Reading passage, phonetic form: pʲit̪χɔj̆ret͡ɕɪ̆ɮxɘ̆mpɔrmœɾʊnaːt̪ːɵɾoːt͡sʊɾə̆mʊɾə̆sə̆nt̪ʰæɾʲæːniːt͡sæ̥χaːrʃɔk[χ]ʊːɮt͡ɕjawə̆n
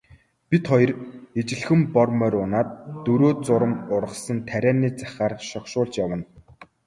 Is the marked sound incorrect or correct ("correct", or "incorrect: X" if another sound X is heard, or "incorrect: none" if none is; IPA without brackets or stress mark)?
incorrect: ʃ